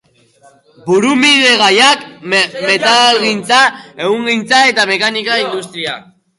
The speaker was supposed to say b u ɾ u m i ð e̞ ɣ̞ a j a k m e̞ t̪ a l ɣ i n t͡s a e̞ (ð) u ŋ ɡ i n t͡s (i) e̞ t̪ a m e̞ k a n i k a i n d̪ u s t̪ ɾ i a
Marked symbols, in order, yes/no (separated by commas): no, no